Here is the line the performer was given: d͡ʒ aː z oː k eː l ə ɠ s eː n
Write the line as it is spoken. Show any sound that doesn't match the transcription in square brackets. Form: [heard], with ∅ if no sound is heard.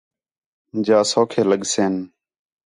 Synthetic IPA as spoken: d͡ʒ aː [s] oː [kʰ] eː l ə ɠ s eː n